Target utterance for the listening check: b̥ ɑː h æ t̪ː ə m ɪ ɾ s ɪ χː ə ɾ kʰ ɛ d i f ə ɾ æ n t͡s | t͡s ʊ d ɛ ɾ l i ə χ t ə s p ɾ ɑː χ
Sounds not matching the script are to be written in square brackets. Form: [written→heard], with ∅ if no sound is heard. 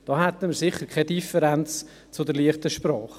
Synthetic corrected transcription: [b̥→d̥] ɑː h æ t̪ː ə m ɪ ɾ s ɪ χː ə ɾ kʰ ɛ d i f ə ɾ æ n t͡s | t͡s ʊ d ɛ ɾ l i ə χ t ə [s→ʃ] p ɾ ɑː χ